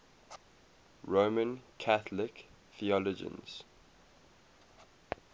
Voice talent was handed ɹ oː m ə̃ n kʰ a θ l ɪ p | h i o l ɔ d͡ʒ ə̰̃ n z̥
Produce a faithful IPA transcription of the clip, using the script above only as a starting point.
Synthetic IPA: ɹ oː m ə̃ n kʰ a θ l ɪ k | θ i ɔ l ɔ d͡ʒ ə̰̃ n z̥